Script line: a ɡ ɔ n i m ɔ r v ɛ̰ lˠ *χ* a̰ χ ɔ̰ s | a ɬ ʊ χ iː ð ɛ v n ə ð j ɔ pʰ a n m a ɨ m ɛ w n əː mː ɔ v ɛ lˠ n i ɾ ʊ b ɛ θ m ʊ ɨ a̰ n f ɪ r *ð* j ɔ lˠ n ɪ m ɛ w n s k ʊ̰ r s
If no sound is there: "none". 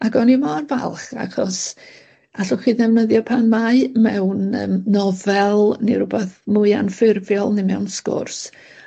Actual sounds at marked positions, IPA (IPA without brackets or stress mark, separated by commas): χ, v